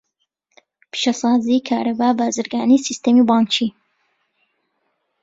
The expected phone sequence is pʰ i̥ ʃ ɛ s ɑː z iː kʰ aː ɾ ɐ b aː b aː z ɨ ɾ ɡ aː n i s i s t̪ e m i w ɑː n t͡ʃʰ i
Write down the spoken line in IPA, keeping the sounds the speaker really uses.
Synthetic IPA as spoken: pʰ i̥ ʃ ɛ s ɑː z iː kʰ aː ɾ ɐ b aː b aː z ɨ ɾ ɡ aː n i s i s t̪ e m i b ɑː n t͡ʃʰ i